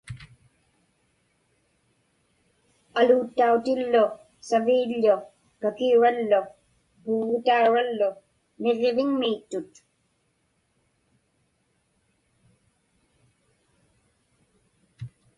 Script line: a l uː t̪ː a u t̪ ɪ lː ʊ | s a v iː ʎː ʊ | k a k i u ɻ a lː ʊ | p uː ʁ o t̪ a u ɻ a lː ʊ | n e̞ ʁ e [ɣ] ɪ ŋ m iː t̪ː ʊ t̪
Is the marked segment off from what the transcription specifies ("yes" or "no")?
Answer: yes